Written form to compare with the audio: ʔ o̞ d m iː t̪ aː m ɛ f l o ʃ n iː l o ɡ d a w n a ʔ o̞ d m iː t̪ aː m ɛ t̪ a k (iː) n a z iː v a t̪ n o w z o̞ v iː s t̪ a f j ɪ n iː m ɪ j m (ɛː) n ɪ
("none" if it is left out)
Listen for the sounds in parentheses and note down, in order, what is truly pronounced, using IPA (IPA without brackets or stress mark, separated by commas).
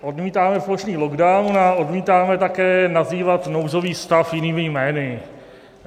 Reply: ɛː, ɛː